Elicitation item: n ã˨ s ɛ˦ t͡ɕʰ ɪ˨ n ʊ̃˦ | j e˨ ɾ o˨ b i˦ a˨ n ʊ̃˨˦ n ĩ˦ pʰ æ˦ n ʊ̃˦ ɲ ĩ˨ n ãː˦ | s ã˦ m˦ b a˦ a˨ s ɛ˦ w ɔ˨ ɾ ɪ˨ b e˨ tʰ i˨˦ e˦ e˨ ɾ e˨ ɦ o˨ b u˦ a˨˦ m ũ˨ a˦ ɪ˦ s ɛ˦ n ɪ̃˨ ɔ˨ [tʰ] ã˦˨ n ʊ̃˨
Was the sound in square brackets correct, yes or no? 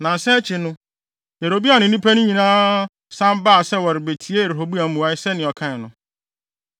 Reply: no